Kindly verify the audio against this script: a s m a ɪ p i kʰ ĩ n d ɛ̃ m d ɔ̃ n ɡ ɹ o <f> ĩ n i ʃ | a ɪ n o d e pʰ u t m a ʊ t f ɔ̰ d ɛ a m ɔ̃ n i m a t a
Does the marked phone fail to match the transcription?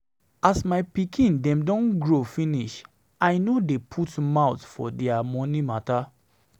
no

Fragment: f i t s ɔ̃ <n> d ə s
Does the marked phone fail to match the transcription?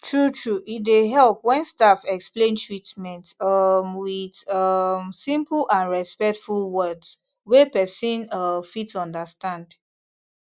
no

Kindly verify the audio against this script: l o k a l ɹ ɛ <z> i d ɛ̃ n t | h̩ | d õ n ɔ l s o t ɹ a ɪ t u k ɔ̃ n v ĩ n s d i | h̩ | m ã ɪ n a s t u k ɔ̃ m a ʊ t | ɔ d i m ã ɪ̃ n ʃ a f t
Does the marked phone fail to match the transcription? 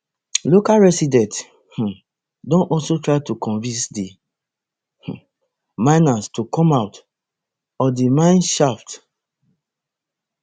yes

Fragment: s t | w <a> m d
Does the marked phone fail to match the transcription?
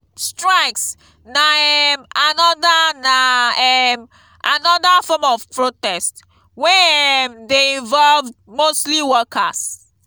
yes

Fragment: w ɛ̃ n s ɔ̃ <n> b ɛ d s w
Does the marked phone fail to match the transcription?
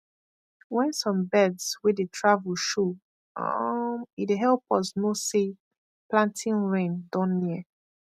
yes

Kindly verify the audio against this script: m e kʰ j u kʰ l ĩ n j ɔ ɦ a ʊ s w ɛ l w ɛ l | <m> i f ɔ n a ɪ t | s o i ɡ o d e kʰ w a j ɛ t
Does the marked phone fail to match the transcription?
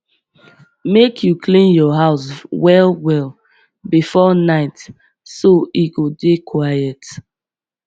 yes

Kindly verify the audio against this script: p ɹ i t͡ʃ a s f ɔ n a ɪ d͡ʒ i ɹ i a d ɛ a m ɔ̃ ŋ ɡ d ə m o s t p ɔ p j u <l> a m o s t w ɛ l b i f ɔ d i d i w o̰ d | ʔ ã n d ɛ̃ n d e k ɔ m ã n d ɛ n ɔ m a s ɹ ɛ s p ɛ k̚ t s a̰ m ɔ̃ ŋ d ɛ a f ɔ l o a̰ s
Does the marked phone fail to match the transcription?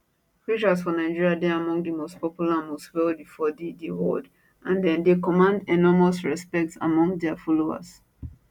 no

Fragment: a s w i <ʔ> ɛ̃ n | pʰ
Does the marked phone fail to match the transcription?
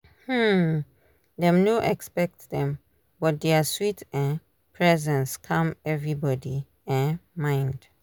yes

